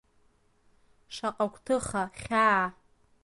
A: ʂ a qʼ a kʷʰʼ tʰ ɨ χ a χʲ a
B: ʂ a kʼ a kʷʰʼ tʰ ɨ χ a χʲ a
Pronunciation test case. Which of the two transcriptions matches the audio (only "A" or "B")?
A